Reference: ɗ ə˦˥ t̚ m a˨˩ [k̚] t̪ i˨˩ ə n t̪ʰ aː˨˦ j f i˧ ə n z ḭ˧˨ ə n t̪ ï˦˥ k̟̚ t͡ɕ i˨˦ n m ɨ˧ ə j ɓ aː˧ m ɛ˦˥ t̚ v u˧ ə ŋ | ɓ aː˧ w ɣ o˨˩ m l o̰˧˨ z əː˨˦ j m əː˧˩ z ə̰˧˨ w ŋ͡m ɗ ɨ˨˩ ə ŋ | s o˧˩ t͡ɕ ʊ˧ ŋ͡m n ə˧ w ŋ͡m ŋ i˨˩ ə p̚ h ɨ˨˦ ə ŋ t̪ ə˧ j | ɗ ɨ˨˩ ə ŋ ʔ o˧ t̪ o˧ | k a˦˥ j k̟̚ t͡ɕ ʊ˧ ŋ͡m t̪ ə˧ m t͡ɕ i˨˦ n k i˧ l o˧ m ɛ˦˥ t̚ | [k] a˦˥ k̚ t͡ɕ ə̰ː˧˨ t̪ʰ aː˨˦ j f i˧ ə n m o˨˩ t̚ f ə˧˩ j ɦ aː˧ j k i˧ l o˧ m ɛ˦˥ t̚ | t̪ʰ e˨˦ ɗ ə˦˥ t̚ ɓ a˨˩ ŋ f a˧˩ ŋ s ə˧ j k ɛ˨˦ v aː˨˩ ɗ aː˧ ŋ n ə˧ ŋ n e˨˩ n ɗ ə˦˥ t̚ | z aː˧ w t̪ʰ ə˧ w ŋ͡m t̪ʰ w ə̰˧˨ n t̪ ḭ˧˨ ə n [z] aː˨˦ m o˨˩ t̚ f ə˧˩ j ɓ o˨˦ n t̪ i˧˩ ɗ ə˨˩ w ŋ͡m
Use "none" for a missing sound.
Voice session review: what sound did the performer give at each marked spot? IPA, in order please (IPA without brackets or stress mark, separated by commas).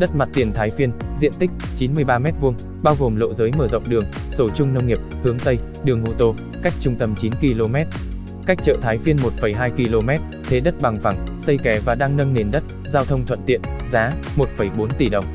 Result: t̚, k, z